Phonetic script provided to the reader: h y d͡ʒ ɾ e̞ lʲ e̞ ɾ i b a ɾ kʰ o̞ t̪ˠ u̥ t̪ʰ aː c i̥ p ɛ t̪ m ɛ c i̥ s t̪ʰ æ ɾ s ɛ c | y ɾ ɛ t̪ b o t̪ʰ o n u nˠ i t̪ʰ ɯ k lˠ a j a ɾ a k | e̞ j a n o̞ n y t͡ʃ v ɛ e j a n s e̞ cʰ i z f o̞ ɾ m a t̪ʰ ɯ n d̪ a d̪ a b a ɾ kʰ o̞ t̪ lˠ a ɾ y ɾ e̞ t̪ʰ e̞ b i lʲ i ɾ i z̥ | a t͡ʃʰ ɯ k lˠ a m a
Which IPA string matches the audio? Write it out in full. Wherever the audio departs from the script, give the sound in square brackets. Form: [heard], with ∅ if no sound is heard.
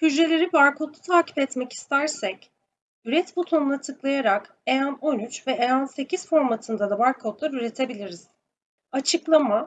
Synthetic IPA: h y d͡ʒ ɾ e̞ lʲ e̞ ɾ i b a ɾ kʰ o̞ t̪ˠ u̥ t̪ʰ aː c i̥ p ɛ t̪ m ɛ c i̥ s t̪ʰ æ ɾ s ɛ c | y ɾ ɛ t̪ b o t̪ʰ o n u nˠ [a] t̪ʰ ɯ k lˠ a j a ɾ a k | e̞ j a n o̞ n y t͡ʃ v ɛ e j a n s e̞ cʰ i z f o̞ ɾ m a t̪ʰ ɯ n d̪ a d̪ a b a ɾ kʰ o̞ t̪ lˠ a ɾ y ɾ e̞ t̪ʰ e̞ b i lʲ i ɾ i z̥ | a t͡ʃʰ ɯ k lˠ a m a